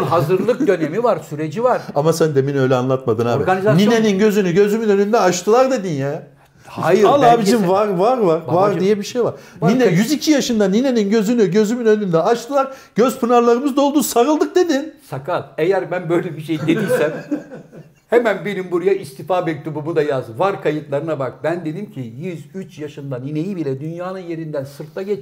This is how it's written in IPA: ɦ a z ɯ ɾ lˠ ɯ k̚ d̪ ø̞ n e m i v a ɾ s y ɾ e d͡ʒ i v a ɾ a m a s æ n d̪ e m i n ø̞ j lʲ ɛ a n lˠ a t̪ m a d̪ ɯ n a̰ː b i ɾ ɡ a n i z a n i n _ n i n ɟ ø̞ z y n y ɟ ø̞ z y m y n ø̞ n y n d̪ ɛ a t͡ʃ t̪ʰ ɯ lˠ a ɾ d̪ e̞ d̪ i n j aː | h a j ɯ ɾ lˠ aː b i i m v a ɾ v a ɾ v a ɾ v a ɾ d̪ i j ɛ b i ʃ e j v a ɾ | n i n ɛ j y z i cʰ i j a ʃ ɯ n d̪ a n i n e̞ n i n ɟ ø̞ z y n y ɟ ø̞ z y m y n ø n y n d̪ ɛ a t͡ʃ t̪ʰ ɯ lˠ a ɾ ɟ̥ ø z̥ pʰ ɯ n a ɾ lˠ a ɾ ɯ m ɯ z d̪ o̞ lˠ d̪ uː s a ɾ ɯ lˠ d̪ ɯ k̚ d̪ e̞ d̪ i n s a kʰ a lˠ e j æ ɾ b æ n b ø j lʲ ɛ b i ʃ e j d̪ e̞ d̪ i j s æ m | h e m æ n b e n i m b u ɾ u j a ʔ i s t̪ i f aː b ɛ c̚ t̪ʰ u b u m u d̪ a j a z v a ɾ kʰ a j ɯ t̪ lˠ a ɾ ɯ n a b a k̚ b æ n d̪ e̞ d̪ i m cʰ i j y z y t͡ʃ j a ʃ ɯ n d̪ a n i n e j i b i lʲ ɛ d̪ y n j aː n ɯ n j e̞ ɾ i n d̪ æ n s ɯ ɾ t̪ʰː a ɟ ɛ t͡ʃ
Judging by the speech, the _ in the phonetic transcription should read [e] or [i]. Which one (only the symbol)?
e